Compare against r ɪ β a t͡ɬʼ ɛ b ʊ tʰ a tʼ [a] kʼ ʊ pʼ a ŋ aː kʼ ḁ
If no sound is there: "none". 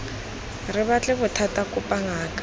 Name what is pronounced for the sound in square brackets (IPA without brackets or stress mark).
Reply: a